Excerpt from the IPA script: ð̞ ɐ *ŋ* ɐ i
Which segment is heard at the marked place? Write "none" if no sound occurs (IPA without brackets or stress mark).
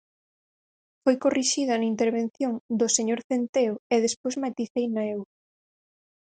n